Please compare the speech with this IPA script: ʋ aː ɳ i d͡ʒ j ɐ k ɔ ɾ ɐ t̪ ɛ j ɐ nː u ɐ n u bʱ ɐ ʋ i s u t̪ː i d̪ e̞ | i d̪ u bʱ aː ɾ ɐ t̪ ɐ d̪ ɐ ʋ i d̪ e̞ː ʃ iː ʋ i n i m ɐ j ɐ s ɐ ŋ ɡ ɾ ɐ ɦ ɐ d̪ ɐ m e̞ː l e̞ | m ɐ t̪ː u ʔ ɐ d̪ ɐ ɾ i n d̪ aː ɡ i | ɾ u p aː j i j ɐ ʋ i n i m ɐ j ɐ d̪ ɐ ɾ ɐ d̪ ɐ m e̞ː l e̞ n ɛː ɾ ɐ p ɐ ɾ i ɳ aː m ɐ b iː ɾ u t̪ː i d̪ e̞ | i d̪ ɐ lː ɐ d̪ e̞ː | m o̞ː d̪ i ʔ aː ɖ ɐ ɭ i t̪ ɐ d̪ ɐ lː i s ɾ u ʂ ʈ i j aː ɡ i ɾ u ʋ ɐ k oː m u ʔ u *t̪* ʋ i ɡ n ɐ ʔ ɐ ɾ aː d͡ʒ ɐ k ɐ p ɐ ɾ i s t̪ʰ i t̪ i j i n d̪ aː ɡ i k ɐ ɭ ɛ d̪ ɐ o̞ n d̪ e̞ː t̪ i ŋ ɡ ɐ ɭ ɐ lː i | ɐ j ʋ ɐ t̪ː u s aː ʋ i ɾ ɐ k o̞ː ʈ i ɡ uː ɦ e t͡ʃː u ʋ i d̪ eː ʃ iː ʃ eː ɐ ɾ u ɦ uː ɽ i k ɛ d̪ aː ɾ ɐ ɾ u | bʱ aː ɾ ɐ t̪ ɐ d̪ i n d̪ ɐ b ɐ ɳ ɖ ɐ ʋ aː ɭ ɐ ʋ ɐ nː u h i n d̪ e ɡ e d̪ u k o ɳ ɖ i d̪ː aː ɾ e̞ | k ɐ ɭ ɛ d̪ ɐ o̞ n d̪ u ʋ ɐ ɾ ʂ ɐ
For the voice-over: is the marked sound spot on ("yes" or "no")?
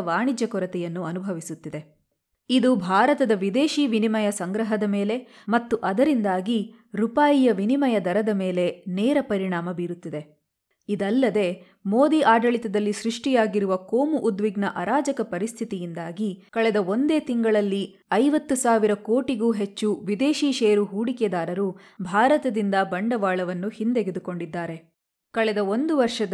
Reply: no